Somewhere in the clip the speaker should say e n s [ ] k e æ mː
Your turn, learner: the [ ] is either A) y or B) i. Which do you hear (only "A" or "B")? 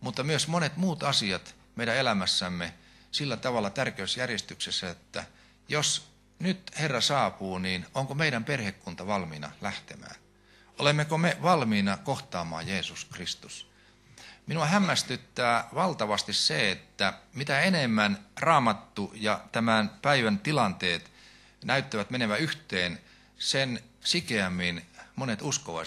B